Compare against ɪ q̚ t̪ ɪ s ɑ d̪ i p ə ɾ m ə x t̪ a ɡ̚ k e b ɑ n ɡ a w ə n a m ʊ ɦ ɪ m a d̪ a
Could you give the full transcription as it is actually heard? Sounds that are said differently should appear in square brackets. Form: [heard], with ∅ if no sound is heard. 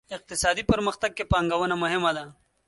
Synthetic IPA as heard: ɪ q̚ t̪ ɪ s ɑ d̪ i p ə ɾ m ə x t̪ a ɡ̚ k e [p] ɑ [ŋ] ɡ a w ə n a m ʊ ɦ ɪ m a d̪ a

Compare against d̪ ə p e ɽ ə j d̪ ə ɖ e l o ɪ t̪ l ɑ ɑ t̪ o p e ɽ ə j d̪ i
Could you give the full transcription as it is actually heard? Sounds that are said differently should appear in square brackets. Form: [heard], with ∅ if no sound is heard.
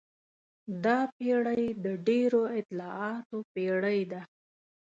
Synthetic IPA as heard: d̪ [ɑ] p e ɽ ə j d̪ ə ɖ e [ɾ] o ɪ t̪ l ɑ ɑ t̪ o p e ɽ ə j d̪ [a]

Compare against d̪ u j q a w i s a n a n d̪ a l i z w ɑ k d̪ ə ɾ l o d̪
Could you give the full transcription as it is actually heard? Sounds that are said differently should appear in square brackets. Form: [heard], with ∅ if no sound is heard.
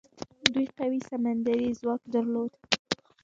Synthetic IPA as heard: d̪ u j q a w i s a [m] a n d̪ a [ɾ] i z w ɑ k d̪ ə ɾ l o d̪

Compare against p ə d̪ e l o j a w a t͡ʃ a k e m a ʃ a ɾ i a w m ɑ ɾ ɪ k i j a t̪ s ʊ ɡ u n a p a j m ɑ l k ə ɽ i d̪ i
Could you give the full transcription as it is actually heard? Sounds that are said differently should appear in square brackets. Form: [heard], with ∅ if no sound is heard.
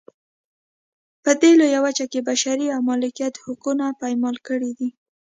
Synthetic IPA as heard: p ə d̪ e l o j a w a t͡ʃ a k e [b] a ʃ a ɾ i a w m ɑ [l] ɪ k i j a t̪ [h] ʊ [k] u n a p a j m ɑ l k ə ɽ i d̪ i

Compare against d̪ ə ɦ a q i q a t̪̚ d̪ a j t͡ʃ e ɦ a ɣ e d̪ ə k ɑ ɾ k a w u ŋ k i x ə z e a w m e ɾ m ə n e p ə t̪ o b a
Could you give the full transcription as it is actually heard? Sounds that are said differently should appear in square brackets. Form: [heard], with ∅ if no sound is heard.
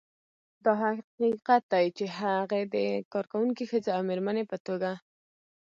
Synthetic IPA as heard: d̪ [ɑ] ɦ a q i q a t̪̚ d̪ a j t͡ʃ e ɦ a ɣ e d̪ ə k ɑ ɾ k a w u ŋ k i x ə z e a w m e ɾ m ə n e p ə t̪ o [ɡ] a

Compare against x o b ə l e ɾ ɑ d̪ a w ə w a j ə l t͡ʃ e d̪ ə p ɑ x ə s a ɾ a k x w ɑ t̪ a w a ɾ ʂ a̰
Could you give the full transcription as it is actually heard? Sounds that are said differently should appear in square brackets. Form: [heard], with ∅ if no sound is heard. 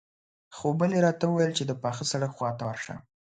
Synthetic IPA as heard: x o b ə l e ɾ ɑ [t̪] a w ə w a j ə l t͡ʃ e d̪ ə p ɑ x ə s a [ɽ] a k x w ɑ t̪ a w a ɾ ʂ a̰

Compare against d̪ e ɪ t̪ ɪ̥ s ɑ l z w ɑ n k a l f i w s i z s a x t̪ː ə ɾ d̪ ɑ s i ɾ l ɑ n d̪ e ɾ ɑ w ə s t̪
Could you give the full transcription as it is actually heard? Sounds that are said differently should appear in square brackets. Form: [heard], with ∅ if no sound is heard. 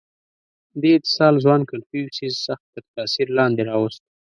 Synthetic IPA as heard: d̪ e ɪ t̪ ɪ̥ s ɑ l z w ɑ n k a l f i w s i z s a x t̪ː ə ɾ [t̪] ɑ s i ɾ l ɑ n d̪ e ɾ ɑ w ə s t̪

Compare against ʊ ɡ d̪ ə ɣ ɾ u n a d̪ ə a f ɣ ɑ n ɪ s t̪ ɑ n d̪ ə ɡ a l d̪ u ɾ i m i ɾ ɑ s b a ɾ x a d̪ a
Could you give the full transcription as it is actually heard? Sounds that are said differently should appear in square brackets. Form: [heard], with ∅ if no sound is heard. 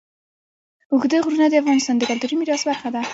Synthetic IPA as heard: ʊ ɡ d̪ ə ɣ ɾ u n a d̪ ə a f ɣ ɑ n ɪ s t̪ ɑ n d̪ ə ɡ a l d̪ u ɾ i m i ɾ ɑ s b a ɾ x a d̪ a

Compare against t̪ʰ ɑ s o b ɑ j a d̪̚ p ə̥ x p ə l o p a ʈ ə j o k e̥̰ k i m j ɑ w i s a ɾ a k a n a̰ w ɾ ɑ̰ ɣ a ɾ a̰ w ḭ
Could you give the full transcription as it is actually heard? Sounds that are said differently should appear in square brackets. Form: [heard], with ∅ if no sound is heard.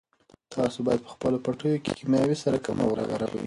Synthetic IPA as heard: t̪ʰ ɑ s o b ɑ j a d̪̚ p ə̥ x p ə l o p a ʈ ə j o k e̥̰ k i m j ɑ w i s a ɾ a k a [m] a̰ w ɾ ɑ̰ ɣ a ɾ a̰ w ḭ

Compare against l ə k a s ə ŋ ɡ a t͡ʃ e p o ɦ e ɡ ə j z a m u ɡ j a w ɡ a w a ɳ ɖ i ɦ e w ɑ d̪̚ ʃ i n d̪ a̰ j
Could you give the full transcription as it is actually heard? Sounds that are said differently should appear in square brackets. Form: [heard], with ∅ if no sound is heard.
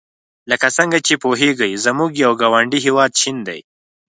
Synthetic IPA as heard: l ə k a s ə ŋ ɡ a t͡ʃ e p o ɦ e ɡ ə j z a m u ɡ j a w ɡ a w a ɳ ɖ i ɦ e w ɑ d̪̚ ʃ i n d̪ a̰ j

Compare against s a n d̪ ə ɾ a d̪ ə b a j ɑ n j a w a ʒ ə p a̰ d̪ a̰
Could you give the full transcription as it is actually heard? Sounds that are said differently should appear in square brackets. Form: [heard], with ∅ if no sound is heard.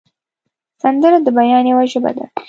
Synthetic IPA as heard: s a n d̪ ə ɾ a d̪ ə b a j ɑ n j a w a ʒ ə [b] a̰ d̪ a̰

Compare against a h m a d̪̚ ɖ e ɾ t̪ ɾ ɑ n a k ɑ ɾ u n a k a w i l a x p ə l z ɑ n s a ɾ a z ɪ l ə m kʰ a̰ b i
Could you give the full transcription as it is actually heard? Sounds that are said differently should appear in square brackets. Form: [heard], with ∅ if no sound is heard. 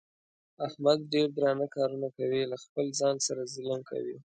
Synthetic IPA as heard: a h m a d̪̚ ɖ e ɾ [d̪] ɾ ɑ n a k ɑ ɾ u n a k a w i l a x p ə l z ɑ n s a ɾ a z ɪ l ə m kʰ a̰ [w] i

